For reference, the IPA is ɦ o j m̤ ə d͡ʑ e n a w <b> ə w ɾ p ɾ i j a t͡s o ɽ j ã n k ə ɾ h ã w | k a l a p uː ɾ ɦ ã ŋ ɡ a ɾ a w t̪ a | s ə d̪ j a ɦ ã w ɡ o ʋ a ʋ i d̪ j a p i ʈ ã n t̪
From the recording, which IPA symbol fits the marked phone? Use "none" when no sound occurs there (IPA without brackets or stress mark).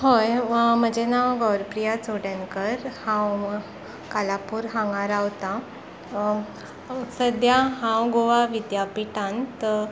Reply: ɡ